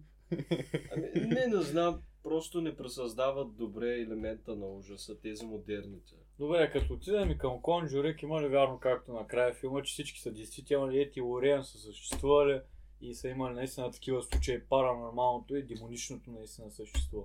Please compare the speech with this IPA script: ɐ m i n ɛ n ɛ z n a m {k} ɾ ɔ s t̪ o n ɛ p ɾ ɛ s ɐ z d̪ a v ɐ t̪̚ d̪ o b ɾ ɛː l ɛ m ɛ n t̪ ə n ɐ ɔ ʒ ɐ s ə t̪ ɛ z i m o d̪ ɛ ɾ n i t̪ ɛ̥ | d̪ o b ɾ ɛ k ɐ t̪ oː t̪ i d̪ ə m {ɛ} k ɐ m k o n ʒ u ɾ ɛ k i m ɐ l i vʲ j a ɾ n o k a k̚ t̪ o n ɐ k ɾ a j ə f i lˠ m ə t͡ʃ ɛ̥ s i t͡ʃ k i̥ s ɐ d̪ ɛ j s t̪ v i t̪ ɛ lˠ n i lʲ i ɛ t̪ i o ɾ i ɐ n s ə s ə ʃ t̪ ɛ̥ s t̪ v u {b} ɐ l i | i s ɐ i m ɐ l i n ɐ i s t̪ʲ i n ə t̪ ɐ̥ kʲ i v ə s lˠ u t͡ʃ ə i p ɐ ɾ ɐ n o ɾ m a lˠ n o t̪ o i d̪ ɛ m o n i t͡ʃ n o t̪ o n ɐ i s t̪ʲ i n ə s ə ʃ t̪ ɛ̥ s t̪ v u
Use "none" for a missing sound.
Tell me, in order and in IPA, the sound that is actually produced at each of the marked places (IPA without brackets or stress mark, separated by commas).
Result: p, i, v